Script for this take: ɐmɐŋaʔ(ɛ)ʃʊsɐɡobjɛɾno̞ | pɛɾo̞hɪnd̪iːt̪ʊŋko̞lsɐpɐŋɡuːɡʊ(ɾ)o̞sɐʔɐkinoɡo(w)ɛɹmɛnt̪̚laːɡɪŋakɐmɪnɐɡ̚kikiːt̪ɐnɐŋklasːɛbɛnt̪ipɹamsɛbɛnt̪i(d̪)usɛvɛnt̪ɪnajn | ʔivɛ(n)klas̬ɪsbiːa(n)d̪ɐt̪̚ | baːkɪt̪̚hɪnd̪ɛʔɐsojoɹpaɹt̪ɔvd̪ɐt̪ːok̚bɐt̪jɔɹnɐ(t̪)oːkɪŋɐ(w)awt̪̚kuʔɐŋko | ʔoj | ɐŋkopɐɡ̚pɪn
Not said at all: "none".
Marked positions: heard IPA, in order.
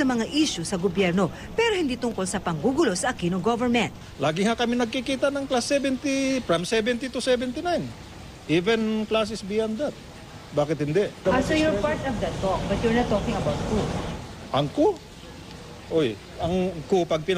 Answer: i, l, v, t̪, n, n, t̪, b

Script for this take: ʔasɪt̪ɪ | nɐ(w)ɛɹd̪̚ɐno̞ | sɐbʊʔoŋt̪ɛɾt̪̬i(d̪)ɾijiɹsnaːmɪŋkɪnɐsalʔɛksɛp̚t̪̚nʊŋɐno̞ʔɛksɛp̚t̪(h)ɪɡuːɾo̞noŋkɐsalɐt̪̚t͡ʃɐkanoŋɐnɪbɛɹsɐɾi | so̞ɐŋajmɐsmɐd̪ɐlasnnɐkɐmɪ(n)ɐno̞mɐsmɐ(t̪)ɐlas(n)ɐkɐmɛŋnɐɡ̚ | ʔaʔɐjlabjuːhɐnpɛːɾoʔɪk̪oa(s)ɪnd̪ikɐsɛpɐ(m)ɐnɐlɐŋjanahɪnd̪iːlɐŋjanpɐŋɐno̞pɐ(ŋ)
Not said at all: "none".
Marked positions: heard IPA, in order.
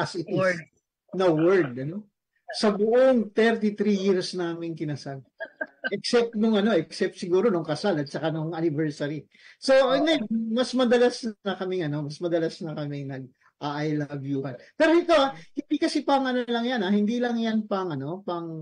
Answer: w, t̪, s, ŋ, d̪, n, h, ŋ, ŋ

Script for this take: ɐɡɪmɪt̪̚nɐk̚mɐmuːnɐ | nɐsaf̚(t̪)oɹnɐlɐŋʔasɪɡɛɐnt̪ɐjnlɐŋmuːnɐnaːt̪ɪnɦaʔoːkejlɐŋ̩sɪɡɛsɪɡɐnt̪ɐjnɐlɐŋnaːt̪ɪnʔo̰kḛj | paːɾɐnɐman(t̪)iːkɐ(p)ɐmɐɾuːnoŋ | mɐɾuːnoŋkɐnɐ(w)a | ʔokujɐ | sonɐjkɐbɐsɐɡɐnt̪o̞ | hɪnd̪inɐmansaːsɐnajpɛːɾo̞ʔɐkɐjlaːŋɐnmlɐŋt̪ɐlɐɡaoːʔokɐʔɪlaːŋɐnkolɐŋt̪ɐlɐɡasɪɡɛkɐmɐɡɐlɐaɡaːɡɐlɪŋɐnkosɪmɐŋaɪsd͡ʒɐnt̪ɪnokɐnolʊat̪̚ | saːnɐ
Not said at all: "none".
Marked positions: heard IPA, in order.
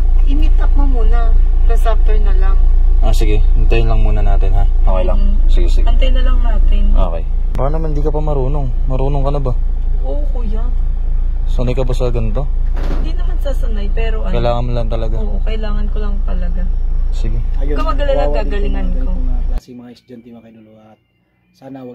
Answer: t̪, d̪, p, b

